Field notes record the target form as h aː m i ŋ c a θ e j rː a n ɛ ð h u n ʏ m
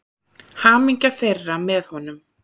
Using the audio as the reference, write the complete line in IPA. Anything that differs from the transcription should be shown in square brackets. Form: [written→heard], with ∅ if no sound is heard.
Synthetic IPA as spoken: h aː m i [ŋ→ɲ] c a θ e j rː a [n→m] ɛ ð h [u→ɔ] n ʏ m